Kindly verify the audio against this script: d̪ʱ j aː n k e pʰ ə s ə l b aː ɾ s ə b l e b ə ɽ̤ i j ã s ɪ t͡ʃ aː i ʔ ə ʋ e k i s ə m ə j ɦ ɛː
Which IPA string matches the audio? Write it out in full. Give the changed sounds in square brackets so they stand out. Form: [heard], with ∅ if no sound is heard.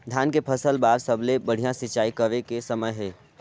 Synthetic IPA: d̪ʱ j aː n k e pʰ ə s ə l b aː ɾ s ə b l e b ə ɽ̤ i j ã s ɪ t͡ʃ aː i [k] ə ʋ e k [e] s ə m ə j ɦ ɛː